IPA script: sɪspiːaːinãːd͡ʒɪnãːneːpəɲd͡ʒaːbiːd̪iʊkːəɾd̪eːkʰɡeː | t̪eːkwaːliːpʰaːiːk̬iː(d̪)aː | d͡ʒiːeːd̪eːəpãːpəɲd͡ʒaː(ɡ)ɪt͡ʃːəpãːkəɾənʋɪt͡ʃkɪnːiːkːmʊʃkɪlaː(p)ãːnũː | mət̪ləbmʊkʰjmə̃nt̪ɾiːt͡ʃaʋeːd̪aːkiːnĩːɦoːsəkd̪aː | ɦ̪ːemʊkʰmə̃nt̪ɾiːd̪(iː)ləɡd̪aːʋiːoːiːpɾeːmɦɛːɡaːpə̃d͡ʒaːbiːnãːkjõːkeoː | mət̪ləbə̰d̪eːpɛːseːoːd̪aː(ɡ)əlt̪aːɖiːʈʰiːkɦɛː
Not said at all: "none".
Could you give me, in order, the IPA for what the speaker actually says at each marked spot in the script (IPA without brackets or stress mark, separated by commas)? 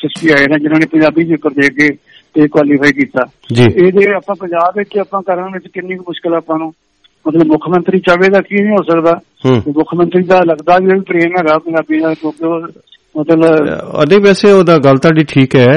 t̪, b, p, aː, ɡ